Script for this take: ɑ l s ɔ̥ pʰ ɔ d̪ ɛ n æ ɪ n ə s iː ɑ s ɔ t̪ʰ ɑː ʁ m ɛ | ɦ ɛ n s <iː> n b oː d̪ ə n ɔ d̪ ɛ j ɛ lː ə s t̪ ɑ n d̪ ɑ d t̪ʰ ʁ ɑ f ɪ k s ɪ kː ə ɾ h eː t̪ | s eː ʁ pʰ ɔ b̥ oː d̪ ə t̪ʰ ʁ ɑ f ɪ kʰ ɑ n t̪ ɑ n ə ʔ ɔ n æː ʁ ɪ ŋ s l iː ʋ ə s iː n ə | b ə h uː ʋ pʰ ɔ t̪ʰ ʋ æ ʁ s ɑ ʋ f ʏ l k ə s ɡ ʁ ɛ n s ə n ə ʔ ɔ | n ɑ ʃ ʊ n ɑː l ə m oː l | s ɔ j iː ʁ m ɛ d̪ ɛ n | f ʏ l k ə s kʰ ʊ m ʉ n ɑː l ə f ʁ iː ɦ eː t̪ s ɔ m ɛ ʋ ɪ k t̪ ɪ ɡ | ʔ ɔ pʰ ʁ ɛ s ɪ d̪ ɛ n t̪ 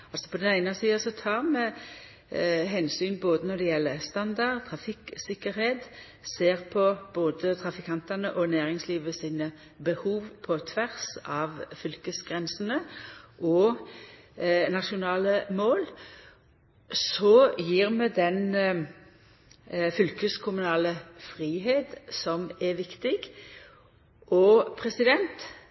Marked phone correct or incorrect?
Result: incorrect